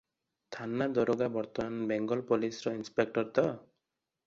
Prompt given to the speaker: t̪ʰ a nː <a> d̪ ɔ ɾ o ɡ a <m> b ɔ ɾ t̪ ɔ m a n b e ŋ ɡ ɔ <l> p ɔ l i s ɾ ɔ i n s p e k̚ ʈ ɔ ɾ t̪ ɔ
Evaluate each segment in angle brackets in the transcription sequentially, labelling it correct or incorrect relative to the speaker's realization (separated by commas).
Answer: correct, incorrect, correct